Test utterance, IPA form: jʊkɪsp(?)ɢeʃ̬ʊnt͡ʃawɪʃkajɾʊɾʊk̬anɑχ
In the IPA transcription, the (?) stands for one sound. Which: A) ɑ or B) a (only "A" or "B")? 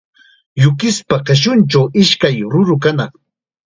B